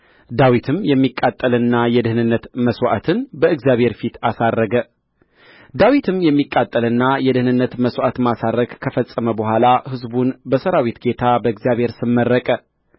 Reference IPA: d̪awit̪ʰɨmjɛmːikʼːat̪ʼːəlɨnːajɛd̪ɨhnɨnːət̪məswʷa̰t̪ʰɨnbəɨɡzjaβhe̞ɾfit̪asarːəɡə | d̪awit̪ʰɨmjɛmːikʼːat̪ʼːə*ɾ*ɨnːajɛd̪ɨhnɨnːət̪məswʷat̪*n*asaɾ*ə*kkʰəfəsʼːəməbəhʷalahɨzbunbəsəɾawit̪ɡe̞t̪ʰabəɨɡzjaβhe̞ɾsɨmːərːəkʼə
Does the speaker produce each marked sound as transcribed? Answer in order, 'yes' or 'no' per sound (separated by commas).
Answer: no, no, yes